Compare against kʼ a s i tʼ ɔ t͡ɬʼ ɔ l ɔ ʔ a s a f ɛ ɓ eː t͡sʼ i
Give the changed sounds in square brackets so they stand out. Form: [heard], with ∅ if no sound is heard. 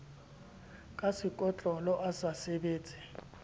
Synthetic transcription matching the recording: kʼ a s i [kʼ] ɔ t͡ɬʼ ɔ l ɔ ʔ a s a [s] ɛ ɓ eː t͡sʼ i